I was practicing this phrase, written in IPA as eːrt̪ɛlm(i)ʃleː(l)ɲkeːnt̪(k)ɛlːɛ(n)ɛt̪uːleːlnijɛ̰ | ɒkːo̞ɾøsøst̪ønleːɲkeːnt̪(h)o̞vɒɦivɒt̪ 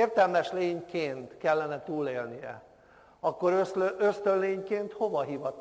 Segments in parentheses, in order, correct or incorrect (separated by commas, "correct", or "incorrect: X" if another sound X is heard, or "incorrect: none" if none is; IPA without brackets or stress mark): incorrect: ɛ, incorrect: none, correct, correct, correct